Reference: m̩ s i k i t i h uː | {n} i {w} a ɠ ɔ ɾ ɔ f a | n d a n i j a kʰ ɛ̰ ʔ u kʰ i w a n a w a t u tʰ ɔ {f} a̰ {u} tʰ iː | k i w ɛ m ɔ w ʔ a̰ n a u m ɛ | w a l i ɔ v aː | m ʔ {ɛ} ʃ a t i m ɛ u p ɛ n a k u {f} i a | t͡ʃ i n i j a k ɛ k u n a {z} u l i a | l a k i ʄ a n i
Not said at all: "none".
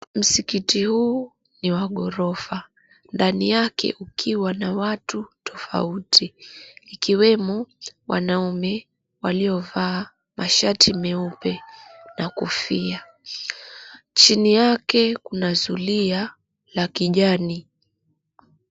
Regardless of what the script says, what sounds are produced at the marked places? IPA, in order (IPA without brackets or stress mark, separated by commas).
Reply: n, w, f, u, a, f, z